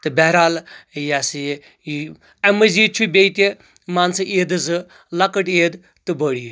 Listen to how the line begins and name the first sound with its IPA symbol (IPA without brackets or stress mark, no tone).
t̪